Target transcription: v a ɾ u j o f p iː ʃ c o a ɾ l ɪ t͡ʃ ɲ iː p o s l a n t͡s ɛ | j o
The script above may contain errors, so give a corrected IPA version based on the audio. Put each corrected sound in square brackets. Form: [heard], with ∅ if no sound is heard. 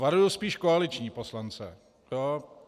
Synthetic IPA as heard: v a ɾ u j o [s] p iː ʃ [k] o a [∅] l ɪ t͡ʃ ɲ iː p o s l a n t͡s ɛ | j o